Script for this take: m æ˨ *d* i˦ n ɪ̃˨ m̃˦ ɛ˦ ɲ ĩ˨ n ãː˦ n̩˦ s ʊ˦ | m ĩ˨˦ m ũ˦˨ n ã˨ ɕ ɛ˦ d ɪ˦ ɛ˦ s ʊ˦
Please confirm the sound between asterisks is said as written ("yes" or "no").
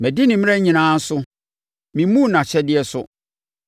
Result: yes